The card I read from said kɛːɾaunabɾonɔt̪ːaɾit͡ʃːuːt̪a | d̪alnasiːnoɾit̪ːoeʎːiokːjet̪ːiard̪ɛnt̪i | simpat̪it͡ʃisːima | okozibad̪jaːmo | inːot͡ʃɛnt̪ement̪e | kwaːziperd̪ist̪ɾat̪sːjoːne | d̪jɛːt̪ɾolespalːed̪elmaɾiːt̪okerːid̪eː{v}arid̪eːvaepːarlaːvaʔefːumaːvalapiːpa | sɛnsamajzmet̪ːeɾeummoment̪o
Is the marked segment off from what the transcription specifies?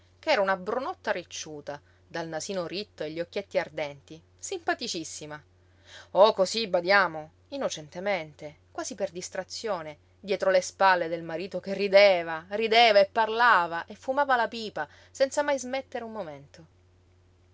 no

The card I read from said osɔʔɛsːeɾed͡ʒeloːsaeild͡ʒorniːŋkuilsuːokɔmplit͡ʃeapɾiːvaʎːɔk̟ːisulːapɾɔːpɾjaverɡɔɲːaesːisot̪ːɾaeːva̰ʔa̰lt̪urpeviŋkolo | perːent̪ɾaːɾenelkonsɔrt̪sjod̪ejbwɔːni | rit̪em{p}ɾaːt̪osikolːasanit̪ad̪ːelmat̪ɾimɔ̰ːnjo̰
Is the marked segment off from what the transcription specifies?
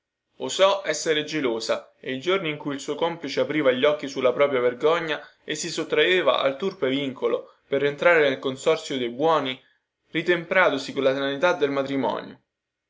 no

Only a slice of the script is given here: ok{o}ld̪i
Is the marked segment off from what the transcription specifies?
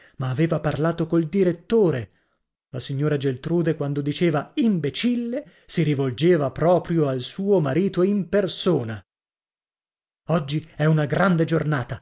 no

